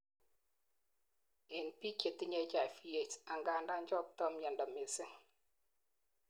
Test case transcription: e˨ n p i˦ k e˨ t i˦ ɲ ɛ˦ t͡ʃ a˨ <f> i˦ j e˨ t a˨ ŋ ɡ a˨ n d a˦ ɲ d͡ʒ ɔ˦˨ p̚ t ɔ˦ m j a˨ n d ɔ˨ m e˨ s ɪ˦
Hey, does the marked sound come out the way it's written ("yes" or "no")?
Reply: yes